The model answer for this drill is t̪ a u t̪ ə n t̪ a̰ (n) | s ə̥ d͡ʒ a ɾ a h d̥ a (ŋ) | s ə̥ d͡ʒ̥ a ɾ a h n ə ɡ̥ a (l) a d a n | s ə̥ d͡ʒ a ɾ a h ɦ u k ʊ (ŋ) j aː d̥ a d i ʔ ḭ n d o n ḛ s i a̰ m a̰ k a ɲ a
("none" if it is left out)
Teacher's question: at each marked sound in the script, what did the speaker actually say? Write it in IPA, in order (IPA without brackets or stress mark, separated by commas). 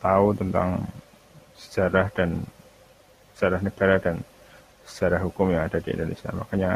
ŋ, n, ɾ, m